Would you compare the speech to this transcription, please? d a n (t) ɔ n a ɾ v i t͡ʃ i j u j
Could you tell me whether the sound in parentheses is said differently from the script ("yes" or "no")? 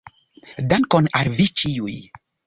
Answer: yes